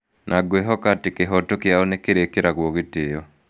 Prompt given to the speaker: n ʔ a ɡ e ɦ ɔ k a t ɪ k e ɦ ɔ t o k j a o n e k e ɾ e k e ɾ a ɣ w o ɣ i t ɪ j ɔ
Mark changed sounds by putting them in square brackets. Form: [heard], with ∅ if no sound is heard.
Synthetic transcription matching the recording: n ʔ a ɡ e ɦ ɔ k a t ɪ k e ɦ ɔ t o k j a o n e k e ɾ e k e ɾ a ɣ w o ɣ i t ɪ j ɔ

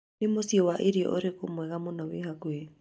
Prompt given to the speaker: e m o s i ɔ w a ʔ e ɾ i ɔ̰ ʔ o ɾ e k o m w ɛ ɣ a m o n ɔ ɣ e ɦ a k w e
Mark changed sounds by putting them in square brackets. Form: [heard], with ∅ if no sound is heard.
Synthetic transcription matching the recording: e m o s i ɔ w a ʔ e ɾ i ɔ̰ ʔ o ɾ e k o m w ɛ ɣ a m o n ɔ [w] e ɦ a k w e

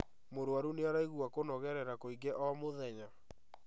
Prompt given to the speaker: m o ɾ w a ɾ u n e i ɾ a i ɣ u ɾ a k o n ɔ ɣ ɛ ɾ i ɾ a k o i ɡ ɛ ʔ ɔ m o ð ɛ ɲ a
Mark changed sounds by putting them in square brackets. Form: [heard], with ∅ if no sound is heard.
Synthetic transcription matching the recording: m o ɾ w a ɾ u n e [a] ɾ a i ɣ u [∅] a k o n ɔ ɣ ɛ ɾ [ɛ] ɾ a k o i ɡ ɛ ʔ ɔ m o ð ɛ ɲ a

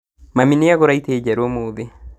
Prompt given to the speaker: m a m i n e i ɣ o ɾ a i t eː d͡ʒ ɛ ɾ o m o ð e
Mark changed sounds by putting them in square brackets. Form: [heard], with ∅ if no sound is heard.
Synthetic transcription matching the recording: m a m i n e [a] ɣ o ɾ a i t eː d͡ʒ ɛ ɾ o m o ð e

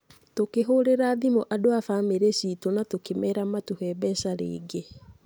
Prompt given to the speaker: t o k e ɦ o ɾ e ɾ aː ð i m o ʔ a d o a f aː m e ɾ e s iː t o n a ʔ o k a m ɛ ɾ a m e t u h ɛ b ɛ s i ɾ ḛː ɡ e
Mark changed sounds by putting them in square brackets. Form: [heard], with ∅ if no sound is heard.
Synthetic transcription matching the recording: t o k e ɦ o ɾ e ɾ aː ð i m o ʔ a d o a f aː m e ɾ e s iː t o n a [t] o k [e] m ɛ ɾ a m [a] t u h ɛ b ɛ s [a] ɾ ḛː ɡ e

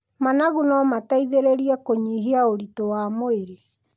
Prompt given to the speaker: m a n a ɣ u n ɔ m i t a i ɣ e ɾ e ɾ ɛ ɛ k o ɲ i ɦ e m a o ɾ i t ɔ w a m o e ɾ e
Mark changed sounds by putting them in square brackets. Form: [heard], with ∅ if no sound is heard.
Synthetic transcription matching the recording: m a n a ɣ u n ɔ m [a] t a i [ð] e ɾ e ɾ [i] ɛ k o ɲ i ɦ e [∅] a o ɾ i t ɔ w a m o e ɾ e

